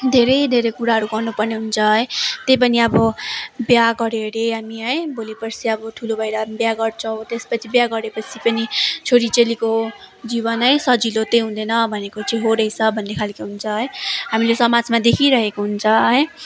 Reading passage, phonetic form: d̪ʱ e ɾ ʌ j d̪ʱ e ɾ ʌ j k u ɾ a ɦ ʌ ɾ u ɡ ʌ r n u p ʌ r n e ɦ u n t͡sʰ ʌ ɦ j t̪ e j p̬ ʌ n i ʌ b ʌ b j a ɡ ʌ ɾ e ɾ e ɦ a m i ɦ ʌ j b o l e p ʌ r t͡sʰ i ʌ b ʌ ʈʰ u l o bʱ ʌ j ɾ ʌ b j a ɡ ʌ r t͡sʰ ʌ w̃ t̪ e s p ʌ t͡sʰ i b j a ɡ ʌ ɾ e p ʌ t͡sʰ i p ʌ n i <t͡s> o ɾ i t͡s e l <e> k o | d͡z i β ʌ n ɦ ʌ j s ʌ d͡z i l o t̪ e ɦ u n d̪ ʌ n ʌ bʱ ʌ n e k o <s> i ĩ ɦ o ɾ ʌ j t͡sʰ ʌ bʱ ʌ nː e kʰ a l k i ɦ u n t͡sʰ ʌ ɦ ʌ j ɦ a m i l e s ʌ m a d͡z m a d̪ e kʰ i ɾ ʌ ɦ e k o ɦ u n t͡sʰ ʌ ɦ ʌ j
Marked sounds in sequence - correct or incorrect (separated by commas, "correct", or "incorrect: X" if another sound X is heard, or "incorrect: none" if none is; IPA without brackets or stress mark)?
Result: incorrect: t͡sʰ, incorrect: i, incorrect: t͡s